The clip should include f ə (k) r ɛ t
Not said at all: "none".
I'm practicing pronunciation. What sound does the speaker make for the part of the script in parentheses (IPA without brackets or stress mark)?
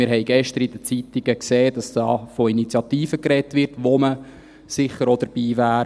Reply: k